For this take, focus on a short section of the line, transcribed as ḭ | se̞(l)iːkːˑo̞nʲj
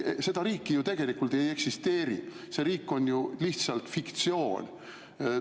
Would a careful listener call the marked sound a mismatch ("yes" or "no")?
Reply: yes